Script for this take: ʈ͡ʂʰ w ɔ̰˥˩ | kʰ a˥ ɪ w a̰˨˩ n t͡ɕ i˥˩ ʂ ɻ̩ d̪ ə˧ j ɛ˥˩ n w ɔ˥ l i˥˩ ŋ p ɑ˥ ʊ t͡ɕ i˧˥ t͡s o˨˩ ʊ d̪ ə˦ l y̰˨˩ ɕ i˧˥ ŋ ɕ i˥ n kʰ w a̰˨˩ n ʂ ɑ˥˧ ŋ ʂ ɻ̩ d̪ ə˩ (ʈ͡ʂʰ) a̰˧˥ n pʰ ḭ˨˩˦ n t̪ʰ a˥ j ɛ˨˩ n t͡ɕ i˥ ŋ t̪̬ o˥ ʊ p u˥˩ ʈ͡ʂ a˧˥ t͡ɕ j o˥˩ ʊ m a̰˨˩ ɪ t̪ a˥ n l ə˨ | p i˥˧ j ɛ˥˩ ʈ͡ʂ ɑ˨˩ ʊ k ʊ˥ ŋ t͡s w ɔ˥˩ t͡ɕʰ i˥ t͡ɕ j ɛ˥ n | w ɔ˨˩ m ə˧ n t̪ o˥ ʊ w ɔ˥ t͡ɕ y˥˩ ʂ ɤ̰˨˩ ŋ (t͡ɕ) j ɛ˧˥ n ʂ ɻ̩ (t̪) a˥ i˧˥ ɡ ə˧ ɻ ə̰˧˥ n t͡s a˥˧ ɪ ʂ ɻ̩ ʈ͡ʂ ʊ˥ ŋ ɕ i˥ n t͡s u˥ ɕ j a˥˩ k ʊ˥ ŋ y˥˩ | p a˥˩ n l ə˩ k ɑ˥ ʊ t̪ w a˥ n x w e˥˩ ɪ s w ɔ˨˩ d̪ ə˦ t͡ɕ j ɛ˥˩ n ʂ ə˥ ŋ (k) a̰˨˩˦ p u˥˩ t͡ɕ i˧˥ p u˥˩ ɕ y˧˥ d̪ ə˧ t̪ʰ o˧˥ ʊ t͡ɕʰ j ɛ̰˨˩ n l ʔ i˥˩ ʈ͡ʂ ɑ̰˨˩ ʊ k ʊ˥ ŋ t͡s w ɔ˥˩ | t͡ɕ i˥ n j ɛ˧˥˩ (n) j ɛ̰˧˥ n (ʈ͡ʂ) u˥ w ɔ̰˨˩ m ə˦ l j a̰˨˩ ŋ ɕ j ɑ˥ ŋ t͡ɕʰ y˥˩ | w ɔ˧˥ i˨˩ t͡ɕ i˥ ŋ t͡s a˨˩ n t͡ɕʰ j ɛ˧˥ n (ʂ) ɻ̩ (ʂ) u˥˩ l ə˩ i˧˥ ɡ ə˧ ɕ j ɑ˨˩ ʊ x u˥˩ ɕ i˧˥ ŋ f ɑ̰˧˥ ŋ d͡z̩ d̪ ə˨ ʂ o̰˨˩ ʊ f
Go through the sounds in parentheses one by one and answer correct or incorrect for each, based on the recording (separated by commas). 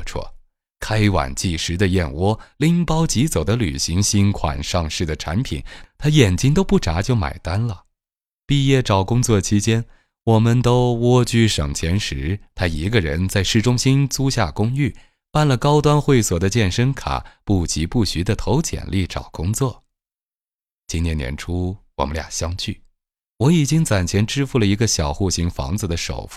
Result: correct, incorrect, incorrect, incorrect, correct, incorrect, incorrect, incorrect